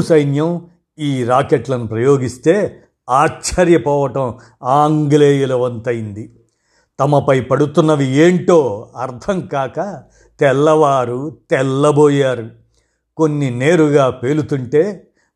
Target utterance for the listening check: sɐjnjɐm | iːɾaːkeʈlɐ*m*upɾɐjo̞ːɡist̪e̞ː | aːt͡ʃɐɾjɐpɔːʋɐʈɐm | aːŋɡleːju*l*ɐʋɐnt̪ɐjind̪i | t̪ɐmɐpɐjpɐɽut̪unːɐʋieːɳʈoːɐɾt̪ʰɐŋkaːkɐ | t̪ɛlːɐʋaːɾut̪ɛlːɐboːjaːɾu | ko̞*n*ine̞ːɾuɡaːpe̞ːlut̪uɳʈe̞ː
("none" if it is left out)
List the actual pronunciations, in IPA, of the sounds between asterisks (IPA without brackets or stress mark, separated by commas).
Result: n, l, nː